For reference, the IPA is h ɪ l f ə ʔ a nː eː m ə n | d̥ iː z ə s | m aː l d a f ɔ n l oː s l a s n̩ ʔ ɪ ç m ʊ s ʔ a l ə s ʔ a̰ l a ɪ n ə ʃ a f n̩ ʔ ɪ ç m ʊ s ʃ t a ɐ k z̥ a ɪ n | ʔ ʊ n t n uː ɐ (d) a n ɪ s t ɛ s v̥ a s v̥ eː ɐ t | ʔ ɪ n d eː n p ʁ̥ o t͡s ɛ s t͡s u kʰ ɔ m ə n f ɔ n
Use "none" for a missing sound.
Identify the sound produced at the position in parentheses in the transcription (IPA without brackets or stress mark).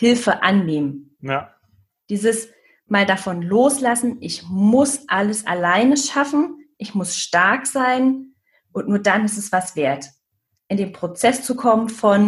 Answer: d